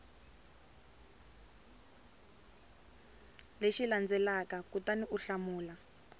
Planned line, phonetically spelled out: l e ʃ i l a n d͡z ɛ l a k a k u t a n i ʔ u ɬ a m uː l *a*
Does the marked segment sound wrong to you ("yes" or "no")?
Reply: no